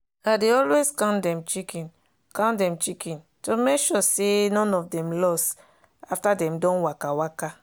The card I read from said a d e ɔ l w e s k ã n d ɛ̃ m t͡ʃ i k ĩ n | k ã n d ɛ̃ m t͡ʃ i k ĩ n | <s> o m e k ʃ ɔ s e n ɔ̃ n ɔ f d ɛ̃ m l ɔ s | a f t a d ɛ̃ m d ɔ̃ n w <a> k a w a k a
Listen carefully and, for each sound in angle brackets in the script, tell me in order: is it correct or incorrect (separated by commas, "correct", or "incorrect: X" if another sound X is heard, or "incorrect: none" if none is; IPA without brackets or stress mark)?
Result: incorrect: t, correct